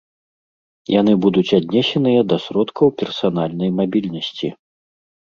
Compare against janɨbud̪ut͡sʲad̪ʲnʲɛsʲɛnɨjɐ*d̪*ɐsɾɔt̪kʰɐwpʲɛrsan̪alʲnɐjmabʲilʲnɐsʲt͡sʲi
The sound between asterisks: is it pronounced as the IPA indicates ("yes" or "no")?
yes